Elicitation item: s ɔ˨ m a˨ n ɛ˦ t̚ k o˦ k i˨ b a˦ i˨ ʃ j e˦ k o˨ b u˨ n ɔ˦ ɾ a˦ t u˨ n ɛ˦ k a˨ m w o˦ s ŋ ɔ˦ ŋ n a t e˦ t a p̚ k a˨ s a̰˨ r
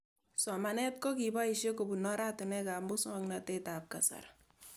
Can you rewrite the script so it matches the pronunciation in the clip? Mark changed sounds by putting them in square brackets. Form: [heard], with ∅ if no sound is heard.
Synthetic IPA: s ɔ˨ m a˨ n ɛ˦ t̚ k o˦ k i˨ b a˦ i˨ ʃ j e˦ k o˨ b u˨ n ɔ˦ ɾ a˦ t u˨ n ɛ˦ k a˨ m [b] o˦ s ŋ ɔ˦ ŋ n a t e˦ t a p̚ k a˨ s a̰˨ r